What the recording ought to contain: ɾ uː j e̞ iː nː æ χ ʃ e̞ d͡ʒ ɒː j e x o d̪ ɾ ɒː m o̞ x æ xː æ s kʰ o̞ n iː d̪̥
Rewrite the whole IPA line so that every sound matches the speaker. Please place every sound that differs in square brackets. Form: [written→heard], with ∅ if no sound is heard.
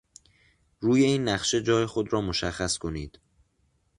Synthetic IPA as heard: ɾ uː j e̞ iː nː æ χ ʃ e̞ d͡ʒ ɒː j e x o d̪ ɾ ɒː m o̞ [x→ʃ] æ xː æ s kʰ o̞ n iː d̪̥

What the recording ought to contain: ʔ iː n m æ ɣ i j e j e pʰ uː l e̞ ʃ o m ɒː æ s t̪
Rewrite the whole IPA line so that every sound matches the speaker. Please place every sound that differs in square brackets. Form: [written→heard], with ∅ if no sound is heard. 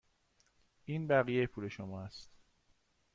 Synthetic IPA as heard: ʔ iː n [m→b] æ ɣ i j e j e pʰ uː l e̞ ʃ o m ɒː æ s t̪

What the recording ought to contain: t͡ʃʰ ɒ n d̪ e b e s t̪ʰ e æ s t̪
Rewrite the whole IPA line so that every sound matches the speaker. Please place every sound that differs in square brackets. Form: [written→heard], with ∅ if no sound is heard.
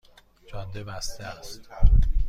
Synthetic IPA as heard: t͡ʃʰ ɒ n d̪ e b [e→æ] s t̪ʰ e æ s t̪

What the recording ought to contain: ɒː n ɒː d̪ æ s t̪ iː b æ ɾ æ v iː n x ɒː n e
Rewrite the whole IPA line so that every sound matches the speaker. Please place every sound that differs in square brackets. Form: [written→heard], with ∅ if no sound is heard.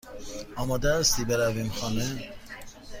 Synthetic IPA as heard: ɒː [n→m] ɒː d̪ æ s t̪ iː b [æ→e] ɾ æ v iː [n→m] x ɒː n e

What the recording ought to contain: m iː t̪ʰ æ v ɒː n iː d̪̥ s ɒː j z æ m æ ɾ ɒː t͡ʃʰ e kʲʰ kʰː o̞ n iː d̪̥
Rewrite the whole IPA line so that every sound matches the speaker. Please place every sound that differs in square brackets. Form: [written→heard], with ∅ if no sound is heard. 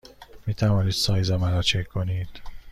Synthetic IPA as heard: m iː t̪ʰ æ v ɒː n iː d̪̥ s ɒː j z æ m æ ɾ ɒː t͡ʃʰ e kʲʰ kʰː o̞ n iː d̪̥

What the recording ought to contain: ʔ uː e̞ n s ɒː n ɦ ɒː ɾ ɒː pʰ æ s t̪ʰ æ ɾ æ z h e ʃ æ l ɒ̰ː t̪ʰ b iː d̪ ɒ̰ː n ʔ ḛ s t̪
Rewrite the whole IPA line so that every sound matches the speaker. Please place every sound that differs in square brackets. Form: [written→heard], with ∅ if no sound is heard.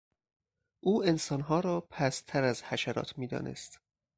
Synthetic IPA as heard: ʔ uː e̞ n s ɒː n ɦ ɒː ɾ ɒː pʰ æ s t̪ʰ æ ɾ æ z h [e→æ] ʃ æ [l→ɾ] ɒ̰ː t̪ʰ [b→m] iː d̪ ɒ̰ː n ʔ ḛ s t̪

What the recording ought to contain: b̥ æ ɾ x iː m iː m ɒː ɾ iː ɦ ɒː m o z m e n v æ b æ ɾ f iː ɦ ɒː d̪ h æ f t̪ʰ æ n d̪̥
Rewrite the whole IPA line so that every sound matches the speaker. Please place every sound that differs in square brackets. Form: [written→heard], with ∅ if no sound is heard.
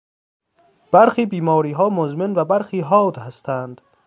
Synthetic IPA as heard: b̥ æ ɾ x iː [m→b] iː m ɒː ɾ iː ɦ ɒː m o z m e n v æ b æ ɾ [f→x] iː ɦ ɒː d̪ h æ [f→s] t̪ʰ æ n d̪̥

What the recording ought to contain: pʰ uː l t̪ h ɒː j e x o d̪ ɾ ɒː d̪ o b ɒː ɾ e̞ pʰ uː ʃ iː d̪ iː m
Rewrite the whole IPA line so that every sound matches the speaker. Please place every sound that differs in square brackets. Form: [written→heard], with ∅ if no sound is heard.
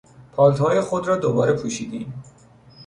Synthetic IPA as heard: pʰ [uː→ɒː] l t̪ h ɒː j e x o d̪ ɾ ɒː d̪ o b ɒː ɾ e̞ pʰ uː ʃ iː d̪ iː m

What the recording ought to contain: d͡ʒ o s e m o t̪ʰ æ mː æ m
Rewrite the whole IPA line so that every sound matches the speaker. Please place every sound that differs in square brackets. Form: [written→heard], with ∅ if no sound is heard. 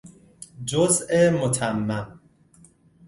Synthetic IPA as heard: d͡ʒ o [s→z] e m o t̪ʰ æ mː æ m

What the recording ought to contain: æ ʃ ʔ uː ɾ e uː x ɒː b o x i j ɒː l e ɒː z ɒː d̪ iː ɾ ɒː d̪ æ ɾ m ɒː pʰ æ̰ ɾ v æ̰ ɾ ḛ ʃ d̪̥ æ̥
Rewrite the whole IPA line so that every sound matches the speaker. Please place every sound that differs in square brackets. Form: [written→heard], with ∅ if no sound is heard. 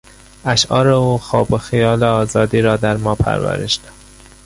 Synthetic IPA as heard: æ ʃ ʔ [uː→ɒː] ɾ e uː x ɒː b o x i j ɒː l e ɒː z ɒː d̪ iː ɾ ɒː d̪ æ ɾ m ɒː pʰ æ̰ ɾ v æ̰ ɾ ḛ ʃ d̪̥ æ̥

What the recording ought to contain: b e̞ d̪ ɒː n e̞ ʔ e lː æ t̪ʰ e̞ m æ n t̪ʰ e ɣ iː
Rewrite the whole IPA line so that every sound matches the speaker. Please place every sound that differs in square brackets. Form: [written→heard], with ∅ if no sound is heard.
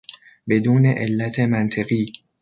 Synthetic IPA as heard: b e̞ d̪ [ɒː→uː] n e̞ ʔ e lː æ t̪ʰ e̞ m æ n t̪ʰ e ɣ iː

